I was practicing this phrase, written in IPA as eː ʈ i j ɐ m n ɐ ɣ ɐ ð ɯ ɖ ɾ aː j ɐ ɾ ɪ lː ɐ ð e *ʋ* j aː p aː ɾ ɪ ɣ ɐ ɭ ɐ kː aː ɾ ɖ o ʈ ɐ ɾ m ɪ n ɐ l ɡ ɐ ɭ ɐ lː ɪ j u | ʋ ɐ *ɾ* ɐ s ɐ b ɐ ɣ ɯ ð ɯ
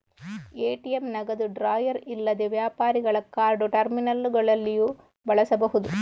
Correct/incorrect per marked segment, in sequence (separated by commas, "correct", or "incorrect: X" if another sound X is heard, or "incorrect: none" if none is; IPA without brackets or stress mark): correct, incorrect: ɭ